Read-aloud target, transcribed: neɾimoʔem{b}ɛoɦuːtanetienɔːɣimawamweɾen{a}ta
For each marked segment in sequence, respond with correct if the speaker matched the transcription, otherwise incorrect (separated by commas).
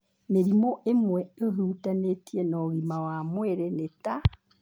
incorrect, incorrect